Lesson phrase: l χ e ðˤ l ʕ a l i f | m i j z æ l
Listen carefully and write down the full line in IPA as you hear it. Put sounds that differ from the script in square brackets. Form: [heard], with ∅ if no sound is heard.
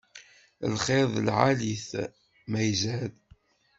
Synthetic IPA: l χ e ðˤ l ʕ a l i [θ] | m [æ] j z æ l

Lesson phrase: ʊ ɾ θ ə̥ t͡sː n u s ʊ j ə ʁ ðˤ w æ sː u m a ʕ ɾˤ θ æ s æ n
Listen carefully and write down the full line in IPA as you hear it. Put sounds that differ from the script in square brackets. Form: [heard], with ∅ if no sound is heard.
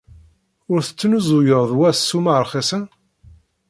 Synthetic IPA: ʊ ɾ θ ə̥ t͡sː n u [z] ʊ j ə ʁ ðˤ w æ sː u m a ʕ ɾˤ [χ] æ s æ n

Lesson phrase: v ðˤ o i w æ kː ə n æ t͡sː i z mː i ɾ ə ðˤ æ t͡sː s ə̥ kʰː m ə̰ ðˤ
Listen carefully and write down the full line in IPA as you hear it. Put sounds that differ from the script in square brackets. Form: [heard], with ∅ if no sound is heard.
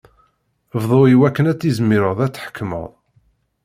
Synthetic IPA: v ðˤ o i w æ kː ə n æ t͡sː i z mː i ɾ ə ðˤ æ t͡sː [ħ] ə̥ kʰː m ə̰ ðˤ

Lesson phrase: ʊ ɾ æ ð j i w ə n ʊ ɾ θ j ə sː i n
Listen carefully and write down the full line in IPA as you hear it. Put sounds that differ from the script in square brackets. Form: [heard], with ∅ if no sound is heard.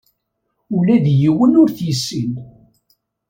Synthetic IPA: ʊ [l] æ ð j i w ə n ʊ ɾ θ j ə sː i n

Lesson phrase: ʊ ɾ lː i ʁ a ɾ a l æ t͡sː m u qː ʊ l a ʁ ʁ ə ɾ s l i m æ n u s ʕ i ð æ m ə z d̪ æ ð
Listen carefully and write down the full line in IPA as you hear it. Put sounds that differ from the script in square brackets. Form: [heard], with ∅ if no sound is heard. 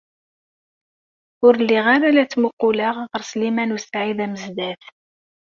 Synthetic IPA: ʊ ɾ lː i ʁ a ɾ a l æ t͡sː m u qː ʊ l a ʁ ʁ ə ɾ s l i m æ n u s ʕ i ð æ m ə z d̪ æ [θ]

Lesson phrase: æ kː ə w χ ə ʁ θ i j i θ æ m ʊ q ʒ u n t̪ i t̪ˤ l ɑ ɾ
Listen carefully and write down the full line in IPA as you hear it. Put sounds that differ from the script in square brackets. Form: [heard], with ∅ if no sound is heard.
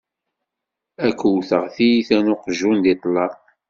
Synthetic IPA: æ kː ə w [θ] ə ʁ θ i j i θ æ [n] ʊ q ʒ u n [d̪] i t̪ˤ l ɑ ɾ

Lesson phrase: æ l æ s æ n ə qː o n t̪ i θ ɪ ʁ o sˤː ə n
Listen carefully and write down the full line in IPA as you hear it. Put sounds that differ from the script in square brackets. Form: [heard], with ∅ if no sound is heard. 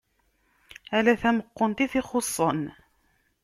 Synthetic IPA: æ l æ [θ] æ [m] ə qː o n t̪ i θ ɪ [χ] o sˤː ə n

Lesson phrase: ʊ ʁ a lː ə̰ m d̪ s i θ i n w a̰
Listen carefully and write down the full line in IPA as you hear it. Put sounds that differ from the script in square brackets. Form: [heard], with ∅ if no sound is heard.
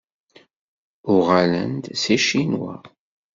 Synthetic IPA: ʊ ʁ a [l] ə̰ [n] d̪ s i [ʃ] i n w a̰

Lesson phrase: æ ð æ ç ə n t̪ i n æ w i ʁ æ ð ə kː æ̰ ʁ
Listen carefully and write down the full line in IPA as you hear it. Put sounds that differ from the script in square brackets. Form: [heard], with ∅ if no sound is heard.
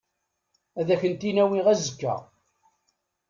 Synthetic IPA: æ ð æ ç ə n t̪ i n æ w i ʁ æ [z] ə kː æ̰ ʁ

